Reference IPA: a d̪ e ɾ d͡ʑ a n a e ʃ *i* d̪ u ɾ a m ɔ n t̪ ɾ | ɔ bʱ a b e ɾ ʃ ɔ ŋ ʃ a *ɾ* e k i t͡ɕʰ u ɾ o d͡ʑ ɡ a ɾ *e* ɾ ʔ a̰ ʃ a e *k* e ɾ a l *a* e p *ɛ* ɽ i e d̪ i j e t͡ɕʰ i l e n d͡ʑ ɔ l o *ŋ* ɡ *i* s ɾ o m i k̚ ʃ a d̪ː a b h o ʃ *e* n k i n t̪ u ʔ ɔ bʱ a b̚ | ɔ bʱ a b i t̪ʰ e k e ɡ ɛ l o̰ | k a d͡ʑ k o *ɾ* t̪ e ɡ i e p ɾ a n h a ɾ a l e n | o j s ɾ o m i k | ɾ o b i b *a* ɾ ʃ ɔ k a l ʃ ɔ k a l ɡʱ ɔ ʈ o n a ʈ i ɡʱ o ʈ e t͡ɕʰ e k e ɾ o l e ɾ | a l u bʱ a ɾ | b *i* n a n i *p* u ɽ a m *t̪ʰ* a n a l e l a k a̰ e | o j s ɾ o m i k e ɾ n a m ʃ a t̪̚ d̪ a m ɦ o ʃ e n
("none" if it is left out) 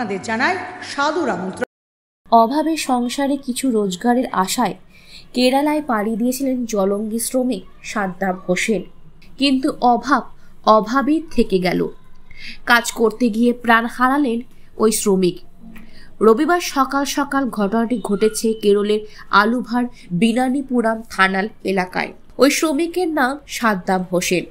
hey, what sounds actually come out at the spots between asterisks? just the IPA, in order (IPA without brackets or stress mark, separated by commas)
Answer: a, ɾ, e, k, a, a, ŋ, i, e, ɾ, a, i, p, t̪ʰ